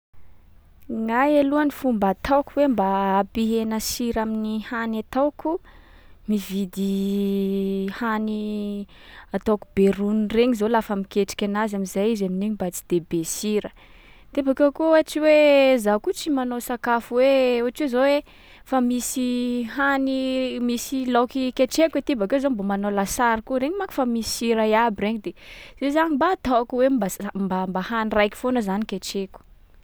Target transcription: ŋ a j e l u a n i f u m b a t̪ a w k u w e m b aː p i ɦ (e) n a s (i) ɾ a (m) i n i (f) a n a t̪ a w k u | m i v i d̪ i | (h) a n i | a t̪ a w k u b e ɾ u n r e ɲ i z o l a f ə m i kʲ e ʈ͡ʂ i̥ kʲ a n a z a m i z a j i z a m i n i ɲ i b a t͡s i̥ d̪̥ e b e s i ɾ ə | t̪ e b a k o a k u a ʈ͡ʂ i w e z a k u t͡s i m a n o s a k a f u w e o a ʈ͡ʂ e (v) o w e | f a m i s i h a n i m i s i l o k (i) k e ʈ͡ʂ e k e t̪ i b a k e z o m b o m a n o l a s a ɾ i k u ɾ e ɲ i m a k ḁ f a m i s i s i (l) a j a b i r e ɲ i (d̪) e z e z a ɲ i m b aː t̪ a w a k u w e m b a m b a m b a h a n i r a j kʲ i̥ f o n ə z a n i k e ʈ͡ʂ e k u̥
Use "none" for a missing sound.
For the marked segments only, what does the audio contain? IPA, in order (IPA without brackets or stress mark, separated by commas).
e, i, m, h, h, z, i, ɾ, d̪